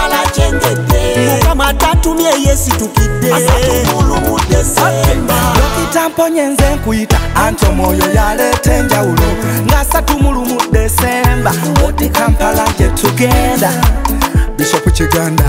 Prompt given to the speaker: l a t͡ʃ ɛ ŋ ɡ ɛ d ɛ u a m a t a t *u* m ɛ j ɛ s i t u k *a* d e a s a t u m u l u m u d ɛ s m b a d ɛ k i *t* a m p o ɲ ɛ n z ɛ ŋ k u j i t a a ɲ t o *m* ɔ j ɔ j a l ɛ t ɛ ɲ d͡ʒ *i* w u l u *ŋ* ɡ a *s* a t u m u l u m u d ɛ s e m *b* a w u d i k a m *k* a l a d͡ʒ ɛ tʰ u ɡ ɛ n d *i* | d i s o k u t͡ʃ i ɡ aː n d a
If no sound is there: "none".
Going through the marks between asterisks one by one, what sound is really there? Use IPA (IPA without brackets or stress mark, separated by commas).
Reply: u, i, t, m, a, ŋ, s, b, p, a